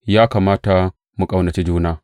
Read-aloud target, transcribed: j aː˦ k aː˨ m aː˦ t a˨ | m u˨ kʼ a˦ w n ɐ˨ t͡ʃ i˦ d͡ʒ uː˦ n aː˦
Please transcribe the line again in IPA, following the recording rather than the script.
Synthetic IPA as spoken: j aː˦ k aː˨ m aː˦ t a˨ | m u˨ kʼ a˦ w n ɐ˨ t͡ʃ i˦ d͡ʒ uː˦ n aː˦